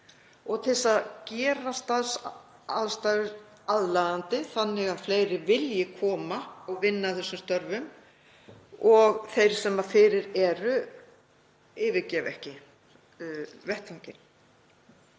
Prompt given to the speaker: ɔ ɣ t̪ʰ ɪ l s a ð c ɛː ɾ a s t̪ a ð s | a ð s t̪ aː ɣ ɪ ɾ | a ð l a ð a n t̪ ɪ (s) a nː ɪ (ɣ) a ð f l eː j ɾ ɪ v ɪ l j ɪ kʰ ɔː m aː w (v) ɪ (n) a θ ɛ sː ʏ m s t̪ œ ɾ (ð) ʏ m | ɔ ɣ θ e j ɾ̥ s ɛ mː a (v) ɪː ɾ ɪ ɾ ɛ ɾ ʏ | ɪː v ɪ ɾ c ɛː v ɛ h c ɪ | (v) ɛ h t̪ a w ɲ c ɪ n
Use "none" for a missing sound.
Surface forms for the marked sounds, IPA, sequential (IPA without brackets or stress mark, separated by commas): θ, ɣ, v, nː, v, f, v